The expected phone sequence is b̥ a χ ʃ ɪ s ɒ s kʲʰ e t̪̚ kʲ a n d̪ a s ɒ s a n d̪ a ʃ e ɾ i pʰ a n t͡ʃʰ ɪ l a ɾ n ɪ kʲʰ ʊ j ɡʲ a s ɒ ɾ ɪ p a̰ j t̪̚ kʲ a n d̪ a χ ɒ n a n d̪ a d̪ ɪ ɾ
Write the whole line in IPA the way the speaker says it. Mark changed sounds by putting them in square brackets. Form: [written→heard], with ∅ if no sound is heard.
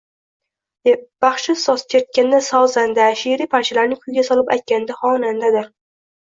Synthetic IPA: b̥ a χ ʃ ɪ s ɒ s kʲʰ e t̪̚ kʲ a n d̪ a s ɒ [s→z] a n d̪ a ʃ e ɾ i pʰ a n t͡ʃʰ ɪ l a ɾ n ɪ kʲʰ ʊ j ɡʲ a s ɒ [ɾ→l] ɪ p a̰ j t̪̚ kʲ a n d̪ a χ ɒ n a n d̪ a d̪ ɪ ɾ